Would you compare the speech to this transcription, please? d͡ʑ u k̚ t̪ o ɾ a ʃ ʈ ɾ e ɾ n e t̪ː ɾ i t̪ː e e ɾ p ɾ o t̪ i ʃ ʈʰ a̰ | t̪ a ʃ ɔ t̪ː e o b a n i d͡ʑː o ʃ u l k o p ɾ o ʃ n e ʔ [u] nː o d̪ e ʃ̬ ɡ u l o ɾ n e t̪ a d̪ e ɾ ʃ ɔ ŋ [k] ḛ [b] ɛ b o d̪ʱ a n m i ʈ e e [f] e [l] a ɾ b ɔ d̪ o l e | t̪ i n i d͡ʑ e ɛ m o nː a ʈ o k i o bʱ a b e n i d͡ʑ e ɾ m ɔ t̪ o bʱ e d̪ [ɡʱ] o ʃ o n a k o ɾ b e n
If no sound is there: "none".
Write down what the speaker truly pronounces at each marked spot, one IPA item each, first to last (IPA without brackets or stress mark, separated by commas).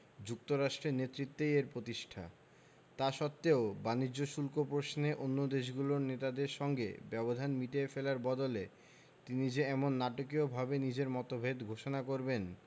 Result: o, ɡ, b, f, l, ɡʱ